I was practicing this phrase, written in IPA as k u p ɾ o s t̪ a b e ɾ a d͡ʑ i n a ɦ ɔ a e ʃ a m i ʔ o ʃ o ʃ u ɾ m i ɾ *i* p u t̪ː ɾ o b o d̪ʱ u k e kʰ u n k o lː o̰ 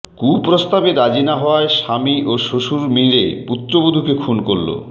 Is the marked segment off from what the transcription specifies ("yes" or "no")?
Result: yes